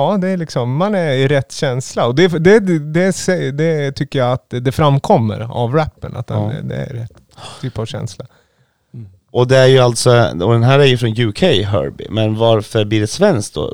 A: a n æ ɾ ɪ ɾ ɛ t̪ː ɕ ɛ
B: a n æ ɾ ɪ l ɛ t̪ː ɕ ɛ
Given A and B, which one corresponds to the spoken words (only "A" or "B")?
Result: A